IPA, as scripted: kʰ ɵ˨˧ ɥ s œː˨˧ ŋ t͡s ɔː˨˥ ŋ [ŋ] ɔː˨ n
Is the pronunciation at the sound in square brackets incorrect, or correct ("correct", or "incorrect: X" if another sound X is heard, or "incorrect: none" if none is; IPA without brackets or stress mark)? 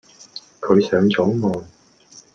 incorrect: m